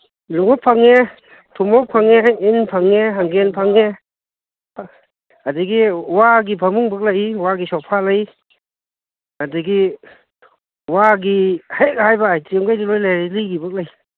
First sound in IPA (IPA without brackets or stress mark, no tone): l